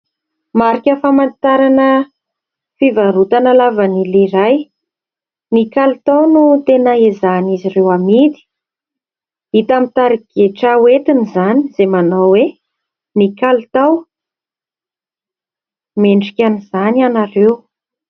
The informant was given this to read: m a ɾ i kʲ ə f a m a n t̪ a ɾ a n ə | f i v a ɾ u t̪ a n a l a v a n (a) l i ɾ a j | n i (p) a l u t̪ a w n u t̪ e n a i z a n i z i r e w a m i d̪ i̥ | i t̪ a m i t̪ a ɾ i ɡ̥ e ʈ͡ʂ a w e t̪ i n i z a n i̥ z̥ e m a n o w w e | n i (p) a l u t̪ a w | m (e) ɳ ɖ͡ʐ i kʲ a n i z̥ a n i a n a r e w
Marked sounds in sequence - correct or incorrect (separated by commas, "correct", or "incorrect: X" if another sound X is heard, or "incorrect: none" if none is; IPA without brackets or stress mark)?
incorrect: i, incorrect: k, incorrect: k, correct